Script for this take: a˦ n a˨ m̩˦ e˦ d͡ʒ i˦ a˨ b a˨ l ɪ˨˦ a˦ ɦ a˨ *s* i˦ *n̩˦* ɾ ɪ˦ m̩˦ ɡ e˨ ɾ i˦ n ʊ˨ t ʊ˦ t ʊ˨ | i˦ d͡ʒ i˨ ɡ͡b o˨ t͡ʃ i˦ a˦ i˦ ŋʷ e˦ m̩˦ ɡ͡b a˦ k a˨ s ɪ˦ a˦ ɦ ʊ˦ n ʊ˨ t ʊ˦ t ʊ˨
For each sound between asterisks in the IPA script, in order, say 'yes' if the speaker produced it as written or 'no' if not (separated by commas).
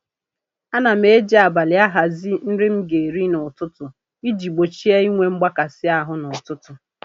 no, yes